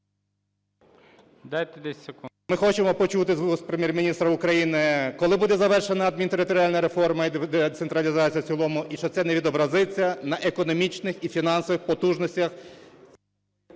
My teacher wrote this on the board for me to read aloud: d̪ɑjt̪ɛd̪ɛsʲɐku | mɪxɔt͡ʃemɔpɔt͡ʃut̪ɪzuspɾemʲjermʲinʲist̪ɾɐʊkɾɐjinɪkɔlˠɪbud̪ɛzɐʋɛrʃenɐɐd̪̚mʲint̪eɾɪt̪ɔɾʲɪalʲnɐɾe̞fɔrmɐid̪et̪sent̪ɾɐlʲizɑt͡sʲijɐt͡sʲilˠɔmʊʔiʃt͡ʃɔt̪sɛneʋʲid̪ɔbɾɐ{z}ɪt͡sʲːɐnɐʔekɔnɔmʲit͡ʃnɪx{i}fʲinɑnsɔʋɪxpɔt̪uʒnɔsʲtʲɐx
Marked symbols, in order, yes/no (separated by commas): yes, yes